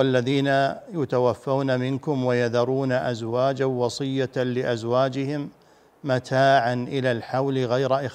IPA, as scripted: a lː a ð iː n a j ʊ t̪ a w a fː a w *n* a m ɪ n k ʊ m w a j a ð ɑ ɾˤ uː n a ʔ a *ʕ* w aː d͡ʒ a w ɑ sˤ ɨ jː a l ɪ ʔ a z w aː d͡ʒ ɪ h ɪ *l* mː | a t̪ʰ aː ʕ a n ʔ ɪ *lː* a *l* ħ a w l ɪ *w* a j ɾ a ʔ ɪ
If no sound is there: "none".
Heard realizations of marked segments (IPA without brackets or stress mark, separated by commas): n, z, none, l, l, ɣ